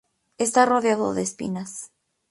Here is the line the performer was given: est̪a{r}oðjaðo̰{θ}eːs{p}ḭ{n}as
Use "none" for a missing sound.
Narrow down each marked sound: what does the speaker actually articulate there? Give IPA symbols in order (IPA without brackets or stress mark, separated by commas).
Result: r, ð, p, n